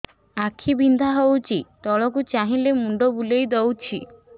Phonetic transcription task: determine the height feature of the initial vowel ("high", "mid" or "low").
low